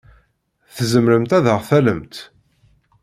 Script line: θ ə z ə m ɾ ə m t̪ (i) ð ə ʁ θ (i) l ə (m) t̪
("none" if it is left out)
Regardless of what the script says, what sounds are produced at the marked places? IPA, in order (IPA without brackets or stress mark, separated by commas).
æ, æ, m